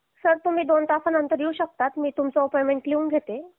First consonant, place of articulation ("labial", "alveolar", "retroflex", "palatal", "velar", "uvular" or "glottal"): alveolar